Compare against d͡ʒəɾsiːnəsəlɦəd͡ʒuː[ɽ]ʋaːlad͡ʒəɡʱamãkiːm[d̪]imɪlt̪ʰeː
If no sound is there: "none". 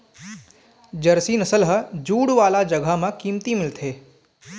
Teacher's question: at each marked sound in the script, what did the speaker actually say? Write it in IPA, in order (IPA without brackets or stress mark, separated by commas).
ɽ, t̪